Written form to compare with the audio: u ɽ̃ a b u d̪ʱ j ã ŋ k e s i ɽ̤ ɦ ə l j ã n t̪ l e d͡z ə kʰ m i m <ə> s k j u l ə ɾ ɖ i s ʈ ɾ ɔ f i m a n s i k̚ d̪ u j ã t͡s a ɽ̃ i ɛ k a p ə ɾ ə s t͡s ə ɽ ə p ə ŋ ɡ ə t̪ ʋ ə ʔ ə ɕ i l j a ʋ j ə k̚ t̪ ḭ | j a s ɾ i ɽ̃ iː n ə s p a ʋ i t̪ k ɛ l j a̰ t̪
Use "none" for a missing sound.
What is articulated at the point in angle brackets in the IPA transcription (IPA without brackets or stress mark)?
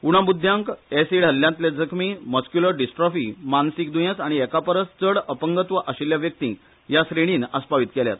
ə